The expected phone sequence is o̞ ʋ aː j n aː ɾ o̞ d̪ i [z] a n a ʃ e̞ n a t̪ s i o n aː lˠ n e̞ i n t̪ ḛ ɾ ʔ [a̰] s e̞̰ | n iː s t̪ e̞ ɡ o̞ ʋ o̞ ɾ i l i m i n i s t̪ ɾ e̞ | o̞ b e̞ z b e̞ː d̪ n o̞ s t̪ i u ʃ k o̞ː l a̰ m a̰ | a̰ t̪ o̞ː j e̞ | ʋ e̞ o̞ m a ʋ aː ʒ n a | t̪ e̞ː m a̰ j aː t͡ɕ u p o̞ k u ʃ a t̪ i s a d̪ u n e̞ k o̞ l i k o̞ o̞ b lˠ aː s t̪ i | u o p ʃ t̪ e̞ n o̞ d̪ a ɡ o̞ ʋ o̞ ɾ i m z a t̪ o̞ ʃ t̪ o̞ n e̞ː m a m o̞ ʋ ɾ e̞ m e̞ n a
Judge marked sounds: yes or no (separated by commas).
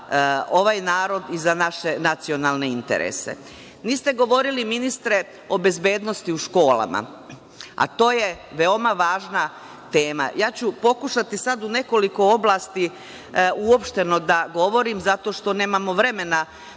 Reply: yes, no